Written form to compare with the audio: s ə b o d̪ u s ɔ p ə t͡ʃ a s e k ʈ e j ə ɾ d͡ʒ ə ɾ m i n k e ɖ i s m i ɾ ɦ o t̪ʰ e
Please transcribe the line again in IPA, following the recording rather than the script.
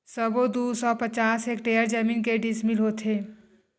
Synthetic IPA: s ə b o d̪ u s ɔ p ə t͡ʃ a s e k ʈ e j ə ɾ d͡ʒ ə m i n k e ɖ i s m i l ɦ o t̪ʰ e

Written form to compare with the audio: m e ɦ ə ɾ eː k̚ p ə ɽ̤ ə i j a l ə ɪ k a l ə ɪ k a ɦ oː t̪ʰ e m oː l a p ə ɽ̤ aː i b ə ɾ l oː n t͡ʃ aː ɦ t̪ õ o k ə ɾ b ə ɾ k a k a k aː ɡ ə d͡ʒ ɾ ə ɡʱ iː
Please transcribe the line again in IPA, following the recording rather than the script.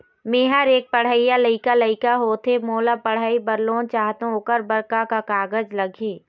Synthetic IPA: m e ɦ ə ɾ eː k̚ p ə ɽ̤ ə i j a l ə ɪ k a l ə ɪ k a ɦ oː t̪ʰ e m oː l a p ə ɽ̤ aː i b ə ɾ l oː n t͡ʃ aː ɦ t̪ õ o k ə ɾ b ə ɾ k a k a k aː ɡ ə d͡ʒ l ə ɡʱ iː

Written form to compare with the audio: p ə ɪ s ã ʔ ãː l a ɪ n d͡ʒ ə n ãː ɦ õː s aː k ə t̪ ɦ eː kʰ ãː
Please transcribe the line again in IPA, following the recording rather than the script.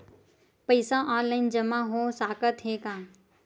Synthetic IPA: p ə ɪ s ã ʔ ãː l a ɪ n d͡ʒ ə m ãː ɦ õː s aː k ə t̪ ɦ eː k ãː

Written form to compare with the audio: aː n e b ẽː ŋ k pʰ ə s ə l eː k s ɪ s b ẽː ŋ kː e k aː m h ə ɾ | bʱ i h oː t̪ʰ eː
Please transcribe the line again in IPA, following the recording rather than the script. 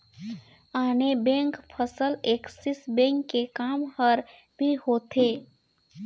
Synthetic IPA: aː n e b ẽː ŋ k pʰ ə s ə l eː k s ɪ s b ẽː ŋ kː e k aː m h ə ɾ | bʱ i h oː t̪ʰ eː

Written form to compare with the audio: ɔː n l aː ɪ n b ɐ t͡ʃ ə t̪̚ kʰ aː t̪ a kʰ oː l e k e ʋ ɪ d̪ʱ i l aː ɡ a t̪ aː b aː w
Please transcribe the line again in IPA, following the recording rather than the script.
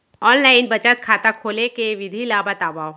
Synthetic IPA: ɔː n l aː ɪ n b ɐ t͡ʃ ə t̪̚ kʰ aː t̪ a kʰ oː l e k e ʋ ɪ d̪ʱ i l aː b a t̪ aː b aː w

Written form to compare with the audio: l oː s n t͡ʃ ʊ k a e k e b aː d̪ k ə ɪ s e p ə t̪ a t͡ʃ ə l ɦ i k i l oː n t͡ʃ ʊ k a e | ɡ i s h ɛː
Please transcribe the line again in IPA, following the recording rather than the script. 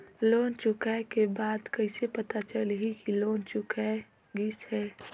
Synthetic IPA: l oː n t͡ʃ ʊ k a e k e b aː d̪ k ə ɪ s e p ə t̪ a t͡ʃ ə l ɦ i k i l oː n t͡ʃ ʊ k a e | ɡ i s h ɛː

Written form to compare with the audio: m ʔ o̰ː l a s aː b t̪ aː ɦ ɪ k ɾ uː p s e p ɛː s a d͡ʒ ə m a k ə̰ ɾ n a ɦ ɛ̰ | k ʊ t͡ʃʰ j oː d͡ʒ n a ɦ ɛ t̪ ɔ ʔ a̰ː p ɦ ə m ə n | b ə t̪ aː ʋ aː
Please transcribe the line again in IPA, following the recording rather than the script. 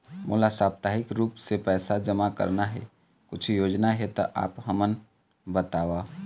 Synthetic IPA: m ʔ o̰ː l a s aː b t̪ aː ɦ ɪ k ɾ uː p s e p ɛː s a d͡ʒ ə m a k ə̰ ɾ n a ɦ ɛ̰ | k ʊ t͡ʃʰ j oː d͡ʒ n a ɦ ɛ t̪ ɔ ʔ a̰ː p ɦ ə m ə n | b ə t̪ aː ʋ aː

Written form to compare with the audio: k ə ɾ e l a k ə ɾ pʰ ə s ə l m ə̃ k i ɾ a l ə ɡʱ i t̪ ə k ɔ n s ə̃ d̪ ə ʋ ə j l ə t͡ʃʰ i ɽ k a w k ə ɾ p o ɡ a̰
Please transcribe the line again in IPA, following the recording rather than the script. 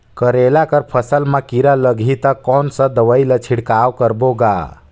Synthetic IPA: k ə ɾ e l a k ə ɾ pʰ ə s ə l m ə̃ k i ɾ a l ə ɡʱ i t̪ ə k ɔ n s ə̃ d̪ ə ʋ ə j l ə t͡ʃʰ i ɽ k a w k ə ɾ b o ɡ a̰

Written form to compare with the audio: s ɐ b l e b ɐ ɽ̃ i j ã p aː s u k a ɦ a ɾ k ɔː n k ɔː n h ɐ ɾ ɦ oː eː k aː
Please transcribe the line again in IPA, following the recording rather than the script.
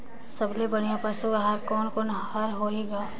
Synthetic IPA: s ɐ b l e b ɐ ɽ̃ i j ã p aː s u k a ɦ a ɾ k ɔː n k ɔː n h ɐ ɾ ɦ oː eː ɡ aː

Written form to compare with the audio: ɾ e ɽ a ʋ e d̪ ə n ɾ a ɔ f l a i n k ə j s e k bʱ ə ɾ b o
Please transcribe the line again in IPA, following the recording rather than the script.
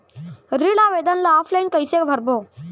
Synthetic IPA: ɾ i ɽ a ʋ e d̪ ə n l a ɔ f l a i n k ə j s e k bʱ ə ɾ b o

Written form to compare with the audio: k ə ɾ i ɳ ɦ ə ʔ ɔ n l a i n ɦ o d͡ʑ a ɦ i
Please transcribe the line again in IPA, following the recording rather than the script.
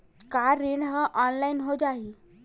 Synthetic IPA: k a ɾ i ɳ ɦ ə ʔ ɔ n l a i n ɦ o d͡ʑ a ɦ i

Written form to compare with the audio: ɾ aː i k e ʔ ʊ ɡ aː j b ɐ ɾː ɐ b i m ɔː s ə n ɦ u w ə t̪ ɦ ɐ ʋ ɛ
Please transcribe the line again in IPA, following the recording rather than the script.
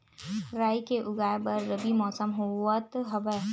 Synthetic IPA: ɾ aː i k e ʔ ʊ ɡ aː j b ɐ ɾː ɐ b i m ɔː s ə m ɦ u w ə t̪ ɦ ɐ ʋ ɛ

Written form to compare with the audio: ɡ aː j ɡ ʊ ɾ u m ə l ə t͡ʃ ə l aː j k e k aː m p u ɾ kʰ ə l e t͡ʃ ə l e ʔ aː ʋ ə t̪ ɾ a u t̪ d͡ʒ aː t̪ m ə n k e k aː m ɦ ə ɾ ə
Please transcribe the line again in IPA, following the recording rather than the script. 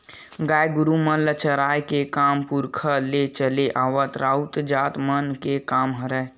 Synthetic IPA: ɡ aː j ɡ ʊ ɾ u m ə l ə t͡ʃ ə ɾ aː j k e k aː m p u ɾ kʰ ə l e t͡ʃ ə l e ʔ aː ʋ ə t̪ ɾ a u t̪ d͡ʒ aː t̪ m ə n k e k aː m ɦ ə ɾ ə

